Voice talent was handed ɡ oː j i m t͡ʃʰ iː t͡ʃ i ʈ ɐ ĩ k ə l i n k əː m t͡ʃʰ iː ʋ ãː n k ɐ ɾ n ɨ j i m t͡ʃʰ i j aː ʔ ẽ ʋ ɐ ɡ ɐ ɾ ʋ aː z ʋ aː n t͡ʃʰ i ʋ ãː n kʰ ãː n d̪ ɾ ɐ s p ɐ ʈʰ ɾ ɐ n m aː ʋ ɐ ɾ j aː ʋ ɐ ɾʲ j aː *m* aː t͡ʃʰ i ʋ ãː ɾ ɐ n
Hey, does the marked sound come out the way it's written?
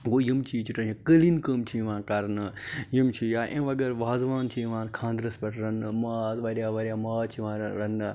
yes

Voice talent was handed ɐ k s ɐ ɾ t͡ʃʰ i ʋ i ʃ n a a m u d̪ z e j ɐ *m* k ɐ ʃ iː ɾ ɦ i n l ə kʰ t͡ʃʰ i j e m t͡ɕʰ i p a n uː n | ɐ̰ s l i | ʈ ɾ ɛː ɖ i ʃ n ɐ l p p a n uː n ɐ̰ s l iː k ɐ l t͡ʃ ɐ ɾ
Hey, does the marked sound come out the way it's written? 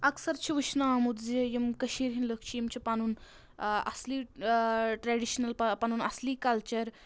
yes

